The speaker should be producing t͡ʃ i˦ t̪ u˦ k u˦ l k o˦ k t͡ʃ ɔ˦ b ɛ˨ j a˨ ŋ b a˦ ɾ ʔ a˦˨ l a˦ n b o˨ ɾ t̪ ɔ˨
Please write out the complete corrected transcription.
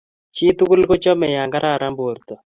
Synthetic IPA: t͡ʃ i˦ t̪ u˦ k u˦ l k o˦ t͡ʃ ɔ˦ m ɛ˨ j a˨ ŋ ɡ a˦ ɾ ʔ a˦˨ ɾ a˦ m b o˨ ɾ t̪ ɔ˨